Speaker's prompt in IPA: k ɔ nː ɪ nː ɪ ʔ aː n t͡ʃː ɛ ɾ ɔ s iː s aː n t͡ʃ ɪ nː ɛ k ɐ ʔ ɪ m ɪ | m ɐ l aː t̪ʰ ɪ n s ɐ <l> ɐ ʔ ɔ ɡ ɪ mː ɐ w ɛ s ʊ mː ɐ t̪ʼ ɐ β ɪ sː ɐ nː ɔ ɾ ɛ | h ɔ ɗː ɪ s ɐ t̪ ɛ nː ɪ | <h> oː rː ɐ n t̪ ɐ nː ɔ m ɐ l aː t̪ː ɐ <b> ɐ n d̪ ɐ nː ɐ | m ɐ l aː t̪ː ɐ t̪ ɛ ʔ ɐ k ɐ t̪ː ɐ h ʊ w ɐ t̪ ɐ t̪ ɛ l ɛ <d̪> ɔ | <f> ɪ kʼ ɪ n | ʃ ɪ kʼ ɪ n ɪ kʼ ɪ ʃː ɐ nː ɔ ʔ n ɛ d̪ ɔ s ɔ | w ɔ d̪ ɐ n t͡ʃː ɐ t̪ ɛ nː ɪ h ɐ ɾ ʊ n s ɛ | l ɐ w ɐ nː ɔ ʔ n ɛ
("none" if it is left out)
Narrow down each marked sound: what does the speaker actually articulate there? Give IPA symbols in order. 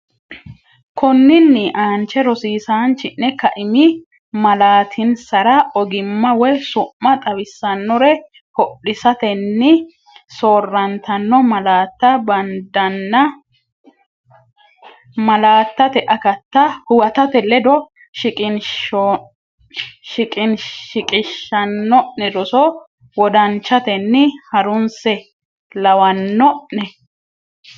ɾ, s, b, d̪, ʃ

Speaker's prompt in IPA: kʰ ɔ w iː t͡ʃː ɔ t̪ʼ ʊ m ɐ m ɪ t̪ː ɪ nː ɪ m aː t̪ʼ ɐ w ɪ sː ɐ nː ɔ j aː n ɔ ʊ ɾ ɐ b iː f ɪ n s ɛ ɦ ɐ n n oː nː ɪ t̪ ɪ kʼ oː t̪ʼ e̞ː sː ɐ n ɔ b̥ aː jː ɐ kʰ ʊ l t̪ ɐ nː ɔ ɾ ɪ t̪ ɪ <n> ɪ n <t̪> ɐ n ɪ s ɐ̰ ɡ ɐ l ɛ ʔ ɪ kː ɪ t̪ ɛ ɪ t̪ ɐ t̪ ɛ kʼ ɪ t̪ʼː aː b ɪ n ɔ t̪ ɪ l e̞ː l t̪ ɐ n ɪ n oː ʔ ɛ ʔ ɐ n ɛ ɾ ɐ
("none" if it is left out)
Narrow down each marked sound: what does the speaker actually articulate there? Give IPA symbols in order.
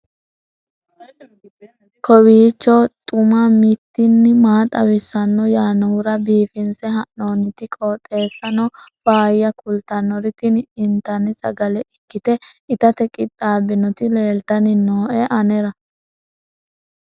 n, t̪

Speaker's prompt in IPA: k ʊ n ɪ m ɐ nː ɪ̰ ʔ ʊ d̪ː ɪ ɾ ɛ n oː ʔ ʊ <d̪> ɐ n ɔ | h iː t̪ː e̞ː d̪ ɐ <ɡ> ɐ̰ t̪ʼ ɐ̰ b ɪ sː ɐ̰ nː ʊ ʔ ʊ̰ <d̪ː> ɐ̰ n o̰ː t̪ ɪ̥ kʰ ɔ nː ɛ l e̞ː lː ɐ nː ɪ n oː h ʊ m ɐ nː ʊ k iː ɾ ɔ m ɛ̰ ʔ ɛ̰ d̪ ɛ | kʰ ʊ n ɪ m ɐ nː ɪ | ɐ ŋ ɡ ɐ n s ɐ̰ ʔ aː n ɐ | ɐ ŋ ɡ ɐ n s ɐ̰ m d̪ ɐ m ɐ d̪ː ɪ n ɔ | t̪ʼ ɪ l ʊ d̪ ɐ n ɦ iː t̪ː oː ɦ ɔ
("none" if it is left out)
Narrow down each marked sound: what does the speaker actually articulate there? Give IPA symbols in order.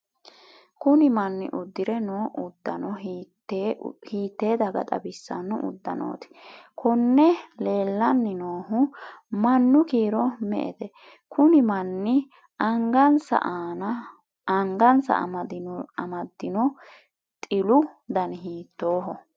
d̪ː, ɡ, d̪ː

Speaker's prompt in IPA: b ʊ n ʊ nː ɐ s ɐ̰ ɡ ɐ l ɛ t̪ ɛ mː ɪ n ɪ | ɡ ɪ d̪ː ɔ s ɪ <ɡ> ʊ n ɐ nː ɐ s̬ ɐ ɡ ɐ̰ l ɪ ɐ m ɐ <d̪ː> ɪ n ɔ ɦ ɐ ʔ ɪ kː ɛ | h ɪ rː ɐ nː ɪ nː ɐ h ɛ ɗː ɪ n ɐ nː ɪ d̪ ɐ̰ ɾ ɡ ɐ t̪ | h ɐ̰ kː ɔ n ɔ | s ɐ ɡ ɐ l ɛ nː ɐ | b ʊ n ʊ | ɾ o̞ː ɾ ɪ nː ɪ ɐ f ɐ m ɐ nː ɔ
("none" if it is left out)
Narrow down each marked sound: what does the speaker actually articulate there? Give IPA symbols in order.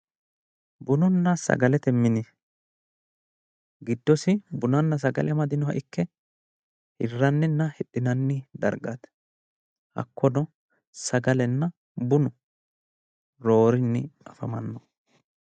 b, d̪

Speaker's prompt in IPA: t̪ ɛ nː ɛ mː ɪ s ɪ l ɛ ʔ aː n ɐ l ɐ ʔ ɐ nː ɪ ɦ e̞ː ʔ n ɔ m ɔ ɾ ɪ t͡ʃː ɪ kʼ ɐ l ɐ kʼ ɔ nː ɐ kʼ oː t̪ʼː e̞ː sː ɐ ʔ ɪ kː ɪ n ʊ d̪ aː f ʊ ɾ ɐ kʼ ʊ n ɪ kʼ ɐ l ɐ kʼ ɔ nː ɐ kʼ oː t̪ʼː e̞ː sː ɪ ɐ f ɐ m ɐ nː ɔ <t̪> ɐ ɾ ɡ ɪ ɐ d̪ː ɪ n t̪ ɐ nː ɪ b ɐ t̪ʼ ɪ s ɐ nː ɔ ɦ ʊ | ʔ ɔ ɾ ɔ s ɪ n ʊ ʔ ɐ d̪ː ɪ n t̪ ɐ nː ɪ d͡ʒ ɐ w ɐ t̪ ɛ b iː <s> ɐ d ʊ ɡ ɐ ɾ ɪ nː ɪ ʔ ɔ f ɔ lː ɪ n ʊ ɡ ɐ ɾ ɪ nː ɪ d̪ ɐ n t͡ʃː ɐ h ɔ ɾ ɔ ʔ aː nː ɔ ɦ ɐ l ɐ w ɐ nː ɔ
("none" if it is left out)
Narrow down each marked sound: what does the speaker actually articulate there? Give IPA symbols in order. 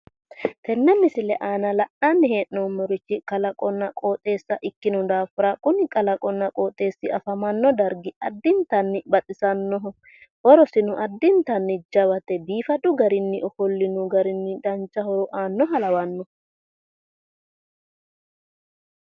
d̪, f

